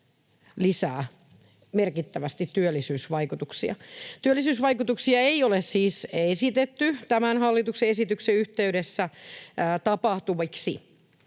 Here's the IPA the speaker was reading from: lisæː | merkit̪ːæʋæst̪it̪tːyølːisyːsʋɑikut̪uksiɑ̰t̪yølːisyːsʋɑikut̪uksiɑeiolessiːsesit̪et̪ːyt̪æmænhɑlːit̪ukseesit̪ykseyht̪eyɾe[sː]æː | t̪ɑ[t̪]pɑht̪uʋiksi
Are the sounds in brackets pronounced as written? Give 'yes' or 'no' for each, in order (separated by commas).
yes, no